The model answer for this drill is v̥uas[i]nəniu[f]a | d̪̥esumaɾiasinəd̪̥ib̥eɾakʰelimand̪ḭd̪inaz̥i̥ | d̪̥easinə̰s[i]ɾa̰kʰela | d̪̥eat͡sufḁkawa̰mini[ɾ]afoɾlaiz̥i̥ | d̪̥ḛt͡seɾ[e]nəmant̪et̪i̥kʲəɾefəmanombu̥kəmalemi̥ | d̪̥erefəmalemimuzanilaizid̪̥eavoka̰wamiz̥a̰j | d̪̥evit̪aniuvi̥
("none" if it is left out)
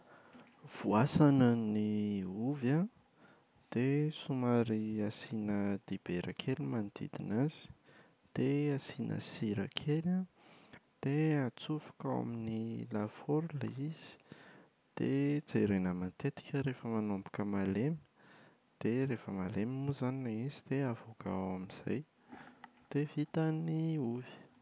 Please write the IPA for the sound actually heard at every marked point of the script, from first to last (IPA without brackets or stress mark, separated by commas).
a, v, i, l, e